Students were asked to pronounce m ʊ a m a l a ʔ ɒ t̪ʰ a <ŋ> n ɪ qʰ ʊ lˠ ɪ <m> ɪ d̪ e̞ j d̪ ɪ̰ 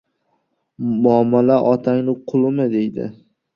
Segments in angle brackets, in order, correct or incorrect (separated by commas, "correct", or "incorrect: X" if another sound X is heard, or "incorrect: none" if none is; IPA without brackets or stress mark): correct, correct